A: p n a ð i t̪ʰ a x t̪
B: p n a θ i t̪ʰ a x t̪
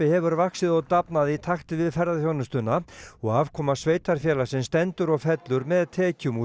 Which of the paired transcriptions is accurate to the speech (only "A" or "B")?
A